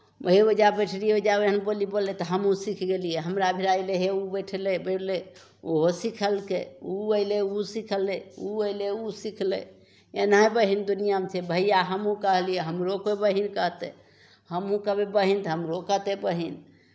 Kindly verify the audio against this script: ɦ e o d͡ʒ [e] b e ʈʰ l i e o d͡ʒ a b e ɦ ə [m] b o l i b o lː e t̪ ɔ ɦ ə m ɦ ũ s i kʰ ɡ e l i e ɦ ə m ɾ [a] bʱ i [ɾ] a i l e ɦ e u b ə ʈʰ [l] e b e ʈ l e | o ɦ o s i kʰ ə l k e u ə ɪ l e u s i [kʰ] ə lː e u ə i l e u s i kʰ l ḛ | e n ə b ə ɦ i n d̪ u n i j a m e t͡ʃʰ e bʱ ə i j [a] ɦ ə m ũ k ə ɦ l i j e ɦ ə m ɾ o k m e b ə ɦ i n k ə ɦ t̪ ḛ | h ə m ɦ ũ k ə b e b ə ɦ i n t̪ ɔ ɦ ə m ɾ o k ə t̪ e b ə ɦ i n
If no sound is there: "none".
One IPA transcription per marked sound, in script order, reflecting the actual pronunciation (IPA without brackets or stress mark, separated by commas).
a, n, a, ɾ, l, kʰ, a